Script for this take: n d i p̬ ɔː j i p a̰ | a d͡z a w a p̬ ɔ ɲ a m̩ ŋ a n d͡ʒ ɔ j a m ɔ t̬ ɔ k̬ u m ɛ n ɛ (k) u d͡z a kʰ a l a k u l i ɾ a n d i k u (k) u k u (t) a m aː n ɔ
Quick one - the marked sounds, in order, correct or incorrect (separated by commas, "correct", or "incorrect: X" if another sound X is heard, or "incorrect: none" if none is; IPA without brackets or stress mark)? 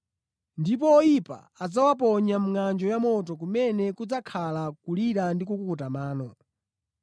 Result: correct, correct, correct